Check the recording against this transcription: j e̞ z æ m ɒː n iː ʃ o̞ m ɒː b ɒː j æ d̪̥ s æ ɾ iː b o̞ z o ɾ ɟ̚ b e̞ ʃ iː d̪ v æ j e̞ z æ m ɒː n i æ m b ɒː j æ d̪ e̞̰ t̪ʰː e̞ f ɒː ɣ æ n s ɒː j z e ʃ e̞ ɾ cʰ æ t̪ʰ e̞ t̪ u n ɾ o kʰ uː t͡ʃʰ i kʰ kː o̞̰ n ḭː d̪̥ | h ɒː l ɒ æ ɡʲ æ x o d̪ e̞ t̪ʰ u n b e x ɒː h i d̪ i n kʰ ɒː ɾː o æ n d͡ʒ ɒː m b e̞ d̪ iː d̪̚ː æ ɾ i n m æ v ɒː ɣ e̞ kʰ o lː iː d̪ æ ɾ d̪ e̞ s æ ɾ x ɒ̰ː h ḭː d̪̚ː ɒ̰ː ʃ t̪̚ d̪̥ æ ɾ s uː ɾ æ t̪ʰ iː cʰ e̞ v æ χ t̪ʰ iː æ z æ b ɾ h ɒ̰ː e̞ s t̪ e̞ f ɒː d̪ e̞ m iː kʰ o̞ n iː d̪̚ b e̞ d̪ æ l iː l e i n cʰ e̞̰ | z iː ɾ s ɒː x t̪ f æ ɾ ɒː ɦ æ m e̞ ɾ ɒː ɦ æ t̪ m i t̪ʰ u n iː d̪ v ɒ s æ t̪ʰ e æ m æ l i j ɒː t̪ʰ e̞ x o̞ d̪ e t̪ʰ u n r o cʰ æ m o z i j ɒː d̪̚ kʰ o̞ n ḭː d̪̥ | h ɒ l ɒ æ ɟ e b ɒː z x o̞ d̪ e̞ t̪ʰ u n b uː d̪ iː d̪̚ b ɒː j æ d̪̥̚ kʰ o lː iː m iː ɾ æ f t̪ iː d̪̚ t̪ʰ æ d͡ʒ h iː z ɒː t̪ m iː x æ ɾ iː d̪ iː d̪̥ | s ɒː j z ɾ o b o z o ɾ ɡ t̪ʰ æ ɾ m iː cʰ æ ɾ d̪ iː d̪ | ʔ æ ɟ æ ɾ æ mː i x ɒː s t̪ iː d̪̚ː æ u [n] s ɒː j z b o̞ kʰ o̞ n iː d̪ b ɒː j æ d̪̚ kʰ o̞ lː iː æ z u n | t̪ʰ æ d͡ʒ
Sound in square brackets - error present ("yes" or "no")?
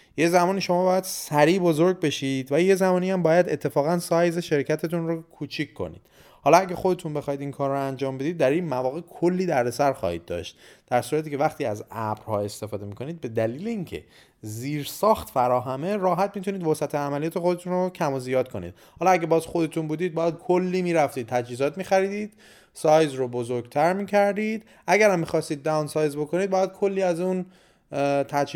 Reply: no